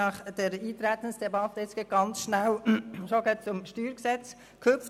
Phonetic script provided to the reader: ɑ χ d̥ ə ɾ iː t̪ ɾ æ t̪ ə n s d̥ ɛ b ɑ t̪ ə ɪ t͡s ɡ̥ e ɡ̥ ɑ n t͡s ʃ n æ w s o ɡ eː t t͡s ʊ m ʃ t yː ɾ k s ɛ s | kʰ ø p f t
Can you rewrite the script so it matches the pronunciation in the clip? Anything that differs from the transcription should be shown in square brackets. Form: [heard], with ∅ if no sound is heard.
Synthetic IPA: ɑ χ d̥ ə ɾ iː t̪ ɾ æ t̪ ə n s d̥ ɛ b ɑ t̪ ə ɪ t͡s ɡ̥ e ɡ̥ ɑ n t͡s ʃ n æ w [ʃ] o ɡ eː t t͡s ʊ m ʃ t yː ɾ k s ɛ [t͡s] | kʰ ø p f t